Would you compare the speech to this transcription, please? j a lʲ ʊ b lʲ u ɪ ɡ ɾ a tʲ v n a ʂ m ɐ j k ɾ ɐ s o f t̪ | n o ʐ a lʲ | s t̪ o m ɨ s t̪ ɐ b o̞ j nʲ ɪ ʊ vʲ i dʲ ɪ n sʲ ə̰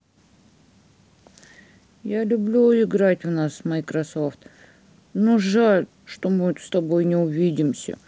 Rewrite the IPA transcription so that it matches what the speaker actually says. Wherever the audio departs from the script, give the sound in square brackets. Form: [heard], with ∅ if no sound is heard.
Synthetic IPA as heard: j a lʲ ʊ b lʲ u ɪ ɡ ɾ a tʲ v n a [s] m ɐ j k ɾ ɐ s o f t̪ | n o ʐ a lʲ | [ʂ] t̪ o m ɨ s t̪ ɐ b o̞ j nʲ ɪ ʊ vʲ i dʲ ɪ [m] sʲ ə̰